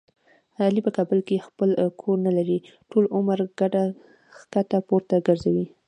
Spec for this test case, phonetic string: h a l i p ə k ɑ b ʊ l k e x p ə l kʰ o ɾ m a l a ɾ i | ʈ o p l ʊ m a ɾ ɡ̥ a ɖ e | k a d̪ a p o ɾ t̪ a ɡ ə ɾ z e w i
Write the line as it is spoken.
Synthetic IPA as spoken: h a l i p ə k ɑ b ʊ l k e x p ə l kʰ o ɾ n a l a ɾ i | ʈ o l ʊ m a ɾ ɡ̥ a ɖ a | k a t̪ a p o ɾ t̪ a ɡ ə ɾ z a w i